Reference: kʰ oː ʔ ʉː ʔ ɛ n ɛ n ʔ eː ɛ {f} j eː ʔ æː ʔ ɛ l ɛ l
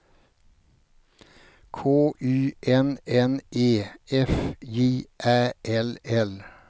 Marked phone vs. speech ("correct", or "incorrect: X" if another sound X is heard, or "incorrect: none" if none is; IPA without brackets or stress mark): correct